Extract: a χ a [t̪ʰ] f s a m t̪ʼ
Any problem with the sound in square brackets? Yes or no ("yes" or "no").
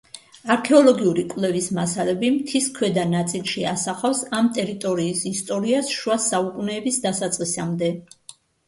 yes